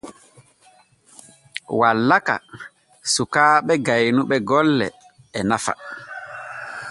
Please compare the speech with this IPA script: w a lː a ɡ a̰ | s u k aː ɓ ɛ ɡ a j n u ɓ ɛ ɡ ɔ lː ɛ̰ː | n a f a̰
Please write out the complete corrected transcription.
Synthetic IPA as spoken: w a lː a k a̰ | s u k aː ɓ ɛ ɡ a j n u ɓ ɛ ɡ ɔ lː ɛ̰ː | n a f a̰